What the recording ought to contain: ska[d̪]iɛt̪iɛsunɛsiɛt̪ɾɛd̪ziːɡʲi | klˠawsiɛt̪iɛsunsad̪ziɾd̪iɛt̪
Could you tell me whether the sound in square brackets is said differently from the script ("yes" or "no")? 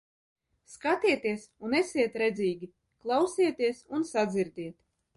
yes